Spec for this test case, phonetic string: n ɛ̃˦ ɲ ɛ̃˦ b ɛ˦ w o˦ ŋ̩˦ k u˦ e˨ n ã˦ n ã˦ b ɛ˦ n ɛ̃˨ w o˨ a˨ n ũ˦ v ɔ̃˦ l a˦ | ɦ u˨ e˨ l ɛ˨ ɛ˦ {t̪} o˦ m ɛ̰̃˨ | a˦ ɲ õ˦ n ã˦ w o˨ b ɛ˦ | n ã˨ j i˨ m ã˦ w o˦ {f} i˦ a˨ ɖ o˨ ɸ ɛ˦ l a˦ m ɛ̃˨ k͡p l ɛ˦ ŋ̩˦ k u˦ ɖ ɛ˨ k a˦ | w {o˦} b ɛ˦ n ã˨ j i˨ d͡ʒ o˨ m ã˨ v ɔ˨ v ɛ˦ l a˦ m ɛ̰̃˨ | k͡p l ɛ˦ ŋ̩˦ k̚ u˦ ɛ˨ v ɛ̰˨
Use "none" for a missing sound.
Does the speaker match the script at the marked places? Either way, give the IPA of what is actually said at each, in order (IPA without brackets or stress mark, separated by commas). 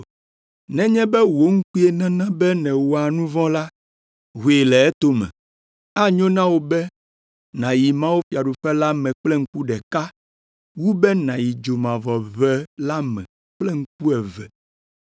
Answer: t̪, f, u˦